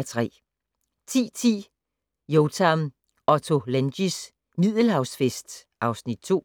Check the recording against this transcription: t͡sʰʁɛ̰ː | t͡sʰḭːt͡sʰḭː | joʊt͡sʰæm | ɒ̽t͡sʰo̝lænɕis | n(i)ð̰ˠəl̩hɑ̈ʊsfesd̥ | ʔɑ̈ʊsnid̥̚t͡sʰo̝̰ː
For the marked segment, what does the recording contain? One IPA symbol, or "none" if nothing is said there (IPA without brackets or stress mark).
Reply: i